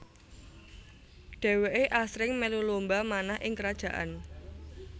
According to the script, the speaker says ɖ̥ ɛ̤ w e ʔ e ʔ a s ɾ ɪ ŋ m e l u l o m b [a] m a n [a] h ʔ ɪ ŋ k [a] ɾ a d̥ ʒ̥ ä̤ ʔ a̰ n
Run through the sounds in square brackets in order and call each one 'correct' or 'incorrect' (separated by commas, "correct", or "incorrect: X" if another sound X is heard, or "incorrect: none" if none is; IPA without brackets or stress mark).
correct, correct, incorrect: ə